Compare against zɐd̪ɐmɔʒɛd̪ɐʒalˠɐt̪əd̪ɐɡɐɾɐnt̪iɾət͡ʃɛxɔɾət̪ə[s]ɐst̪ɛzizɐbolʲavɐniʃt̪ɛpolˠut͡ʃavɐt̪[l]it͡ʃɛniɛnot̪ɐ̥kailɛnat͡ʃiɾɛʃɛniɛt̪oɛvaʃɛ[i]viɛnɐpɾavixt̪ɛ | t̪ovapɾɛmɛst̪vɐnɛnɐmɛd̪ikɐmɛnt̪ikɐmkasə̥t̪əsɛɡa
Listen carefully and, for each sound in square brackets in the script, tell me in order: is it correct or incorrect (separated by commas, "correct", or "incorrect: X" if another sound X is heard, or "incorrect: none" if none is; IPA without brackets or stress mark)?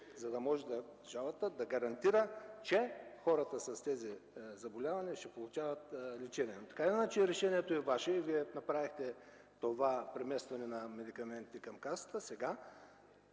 correct, correct, correct